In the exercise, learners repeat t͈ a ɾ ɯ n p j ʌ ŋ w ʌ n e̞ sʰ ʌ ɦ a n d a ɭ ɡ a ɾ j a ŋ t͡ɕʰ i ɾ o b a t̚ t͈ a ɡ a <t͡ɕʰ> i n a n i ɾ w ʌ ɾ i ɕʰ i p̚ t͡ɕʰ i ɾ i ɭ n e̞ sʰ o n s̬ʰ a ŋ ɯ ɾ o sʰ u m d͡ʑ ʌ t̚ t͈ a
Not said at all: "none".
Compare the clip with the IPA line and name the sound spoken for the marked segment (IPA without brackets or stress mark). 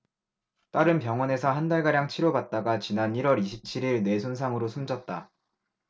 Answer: t͡ɕ